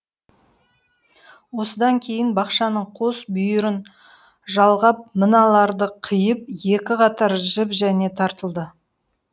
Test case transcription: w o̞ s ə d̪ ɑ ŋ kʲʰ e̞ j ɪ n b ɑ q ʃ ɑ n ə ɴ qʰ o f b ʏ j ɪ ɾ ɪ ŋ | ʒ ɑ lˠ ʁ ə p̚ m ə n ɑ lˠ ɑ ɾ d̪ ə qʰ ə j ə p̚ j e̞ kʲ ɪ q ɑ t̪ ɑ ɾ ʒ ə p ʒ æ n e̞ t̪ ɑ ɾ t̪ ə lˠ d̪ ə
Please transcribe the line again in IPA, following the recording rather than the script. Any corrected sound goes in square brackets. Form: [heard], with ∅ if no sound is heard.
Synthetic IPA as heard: w o̞ s ə d̪ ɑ ŋ kʲʰ e̞ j ɪ n b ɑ q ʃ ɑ n ə ɴ qʰ o [s] b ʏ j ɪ ɾ ɪ [n] | ʒ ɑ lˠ ʁ [ɑ] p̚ m ə n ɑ lˠ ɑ ɾ d̪ ə qʰ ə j ə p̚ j e̞ kʲ ɪ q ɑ t̪ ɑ ɾ ʒ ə p ʒ æ n e̞ [t̪ʰ] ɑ ɾ t̪ ə lˠ d̪ ə

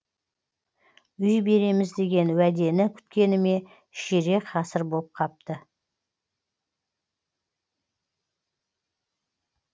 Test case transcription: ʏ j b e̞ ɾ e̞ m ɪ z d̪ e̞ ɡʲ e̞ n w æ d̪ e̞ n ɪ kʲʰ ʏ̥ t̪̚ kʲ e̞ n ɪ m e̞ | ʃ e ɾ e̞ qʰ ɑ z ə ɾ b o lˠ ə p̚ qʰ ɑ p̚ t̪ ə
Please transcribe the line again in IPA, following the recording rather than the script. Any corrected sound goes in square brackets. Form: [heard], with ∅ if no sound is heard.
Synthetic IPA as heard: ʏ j b e̞ ɾ e̞ m ɪ z d̪ e̞ ɡʲ e̞ n w æ d̪ e̞ n ɪ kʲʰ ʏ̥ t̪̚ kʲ e̞ n ɪ m e̞ | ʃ e ɾ e̞ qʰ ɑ [s] ə ɾ b o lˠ ə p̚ qʰ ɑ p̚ t̪ ə

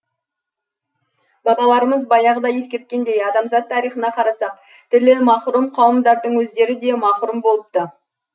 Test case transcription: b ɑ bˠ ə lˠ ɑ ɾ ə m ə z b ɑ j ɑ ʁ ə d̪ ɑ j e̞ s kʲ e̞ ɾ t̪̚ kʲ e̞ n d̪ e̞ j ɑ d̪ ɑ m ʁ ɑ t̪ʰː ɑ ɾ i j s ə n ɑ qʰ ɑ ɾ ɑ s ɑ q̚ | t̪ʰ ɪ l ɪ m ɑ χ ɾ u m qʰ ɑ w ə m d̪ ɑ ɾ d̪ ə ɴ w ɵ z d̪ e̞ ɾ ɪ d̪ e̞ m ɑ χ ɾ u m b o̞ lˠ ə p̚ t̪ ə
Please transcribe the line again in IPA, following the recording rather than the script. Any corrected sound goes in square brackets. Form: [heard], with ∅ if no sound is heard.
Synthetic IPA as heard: b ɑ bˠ [ɑ] lˠ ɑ ɾ ə m ə z b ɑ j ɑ ʁ ə d̪ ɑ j e̞ s kʲ e̞ ɾ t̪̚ kʲ e̞ n d̪ e̞ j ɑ d̪ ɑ m [z] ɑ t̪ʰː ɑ ɾ i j [χ] ə n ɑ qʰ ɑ ɾ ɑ s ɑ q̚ | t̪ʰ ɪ l ɪ m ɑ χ ɾ u m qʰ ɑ w ə m d̪ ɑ ɾ d̪ ə ɴ w ɵ z d̪ e̞ ɾ ɪ d̪ e̞ m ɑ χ ɾ u m b o̞ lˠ ə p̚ t̪ ə

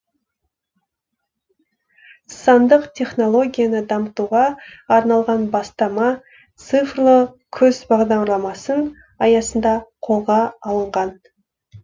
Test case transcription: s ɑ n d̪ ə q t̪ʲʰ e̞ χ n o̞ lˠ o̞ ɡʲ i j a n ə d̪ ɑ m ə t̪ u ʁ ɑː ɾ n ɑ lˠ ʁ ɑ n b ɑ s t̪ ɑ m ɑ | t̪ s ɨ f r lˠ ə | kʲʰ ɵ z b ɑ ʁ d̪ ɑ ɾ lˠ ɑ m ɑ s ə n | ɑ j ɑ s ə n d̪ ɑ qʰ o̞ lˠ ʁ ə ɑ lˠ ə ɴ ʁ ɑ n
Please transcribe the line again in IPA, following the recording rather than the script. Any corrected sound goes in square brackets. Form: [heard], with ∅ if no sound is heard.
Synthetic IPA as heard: s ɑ n d̪ ə q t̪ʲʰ e̞ χ n o̞ lˠ o̞ ɡʲ i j a n ə d̪ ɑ m ə t̪ u ʁ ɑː ɾ n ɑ lˠ ʁ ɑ n b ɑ s t̪ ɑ m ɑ | t̪ s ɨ f r lˠ ə | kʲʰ ɵ z b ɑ ʁ d̪ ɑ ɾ lˠ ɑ m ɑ s ə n | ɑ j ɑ s ə n d̪ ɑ qʰ o̞ lˠ ʁ [ɑ] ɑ lˠ ə ɴ ʁ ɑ n

